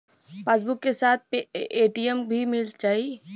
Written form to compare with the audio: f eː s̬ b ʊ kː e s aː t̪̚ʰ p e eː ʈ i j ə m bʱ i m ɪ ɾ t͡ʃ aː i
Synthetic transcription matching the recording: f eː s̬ b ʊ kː e s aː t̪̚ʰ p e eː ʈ i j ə m bʱ i m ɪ l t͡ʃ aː i